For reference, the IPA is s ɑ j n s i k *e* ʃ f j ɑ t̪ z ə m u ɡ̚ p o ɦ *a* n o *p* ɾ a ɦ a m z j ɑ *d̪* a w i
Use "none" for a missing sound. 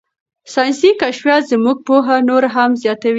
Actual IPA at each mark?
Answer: a, a, none, t̪

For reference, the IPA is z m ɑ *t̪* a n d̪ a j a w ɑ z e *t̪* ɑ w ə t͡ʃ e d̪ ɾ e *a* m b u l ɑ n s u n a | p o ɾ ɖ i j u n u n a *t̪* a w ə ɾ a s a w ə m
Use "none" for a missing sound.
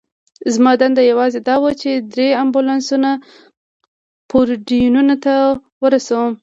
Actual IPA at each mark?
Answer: d̪, d̪, a, t̪

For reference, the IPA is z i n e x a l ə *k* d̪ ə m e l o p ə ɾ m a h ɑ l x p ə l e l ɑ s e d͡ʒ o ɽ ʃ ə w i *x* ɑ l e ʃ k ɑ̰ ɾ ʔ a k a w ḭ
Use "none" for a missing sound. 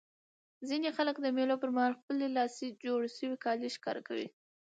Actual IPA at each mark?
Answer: k, k

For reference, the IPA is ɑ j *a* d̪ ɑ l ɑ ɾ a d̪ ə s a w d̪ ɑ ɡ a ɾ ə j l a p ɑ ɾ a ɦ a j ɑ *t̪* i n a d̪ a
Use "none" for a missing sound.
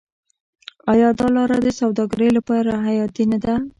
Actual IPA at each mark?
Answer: ɑ, t̪

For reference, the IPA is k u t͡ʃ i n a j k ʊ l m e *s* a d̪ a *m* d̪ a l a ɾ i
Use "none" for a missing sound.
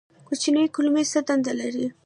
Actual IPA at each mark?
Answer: s, n

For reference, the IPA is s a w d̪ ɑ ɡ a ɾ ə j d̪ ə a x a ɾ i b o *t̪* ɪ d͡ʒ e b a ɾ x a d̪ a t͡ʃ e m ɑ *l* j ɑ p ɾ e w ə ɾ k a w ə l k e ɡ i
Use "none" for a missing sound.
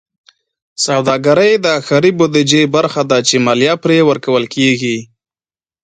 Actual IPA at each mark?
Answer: d̪, l

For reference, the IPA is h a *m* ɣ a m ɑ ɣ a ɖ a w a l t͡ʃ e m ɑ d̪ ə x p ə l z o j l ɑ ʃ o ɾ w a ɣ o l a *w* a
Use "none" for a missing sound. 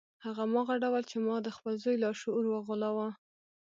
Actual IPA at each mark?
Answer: none, w

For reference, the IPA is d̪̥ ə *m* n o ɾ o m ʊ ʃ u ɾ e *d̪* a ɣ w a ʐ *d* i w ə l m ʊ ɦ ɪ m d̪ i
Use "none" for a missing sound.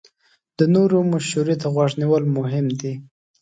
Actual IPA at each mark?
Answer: none, t̪, n

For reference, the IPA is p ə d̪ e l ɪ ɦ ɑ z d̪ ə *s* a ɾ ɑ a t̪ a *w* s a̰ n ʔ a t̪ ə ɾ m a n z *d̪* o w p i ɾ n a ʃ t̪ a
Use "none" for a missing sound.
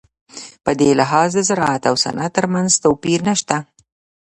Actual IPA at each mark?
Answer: z, w, t̪

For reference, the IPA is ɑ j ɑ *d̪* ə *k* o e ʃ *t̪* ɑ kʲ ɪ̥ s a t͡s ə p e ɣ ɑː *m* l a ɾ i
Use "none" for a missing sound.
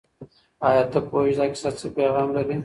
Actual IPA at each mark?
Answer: t̪, p, d̪, m

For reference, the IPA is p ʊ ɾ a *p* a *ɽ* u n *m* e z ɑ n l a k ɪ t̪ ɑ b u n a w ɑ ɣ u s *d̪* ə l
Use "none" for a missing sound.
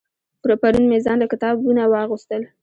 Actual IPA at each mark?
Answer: p, ɾ, m, t̪

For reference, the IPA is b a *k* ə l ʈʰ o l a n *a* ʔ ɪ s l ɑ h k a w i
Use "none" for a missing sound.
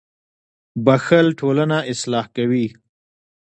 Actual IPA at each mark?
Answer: x, a

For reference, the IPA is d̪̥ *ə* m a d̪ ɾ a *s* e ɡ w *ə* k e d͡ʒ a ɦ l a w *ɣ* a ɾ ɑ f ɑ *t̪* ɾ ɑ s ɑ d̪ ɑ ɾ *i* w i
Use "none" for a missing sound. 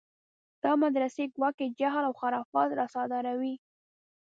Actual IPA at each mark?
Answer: ɑ, s, ɑ, x, t̪, a

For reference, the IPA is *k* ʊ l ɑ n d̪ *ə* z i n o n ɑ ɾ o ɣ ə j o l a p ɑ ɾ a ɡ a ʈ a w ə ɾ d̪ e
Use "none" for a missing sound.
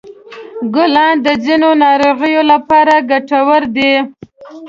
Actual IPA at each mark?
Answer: ɡ, ə

